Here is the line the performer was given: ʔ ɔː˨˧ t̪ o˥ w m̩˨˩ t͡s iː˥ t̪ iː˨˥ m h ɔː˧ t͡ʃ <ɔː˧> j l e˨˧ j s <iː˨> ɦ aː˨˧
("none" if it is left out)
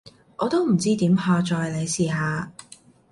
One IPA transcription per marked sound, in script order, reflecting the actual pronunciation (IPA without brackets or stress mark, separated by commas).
ɔː˧, iː˨